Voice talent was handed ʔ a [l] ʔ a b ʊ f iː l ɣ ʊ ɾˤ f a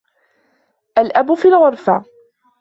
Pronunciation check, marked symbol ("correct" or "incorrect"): correct